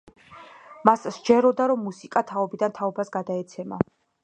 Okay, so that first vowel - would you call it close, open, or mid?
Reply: open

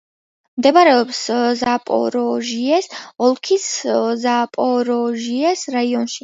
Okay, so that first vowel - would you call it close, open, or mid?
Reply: mid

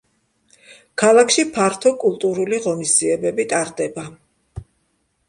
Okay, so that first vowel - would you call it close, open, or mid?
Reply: open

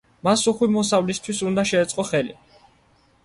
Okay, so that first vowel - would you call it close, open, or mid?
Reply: open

